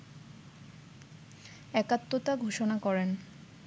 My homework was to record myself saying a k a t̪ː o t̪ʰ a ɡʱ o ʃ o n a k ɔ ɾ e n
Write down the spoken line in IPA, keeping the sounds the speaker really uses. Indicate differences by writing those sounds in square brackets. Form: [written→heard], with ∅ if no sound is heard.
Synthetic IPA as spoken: [a→ɛ] k a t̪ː o [t̪ʰ→t̪] a ɡʱ o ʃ o n a k ɔ ɾ e n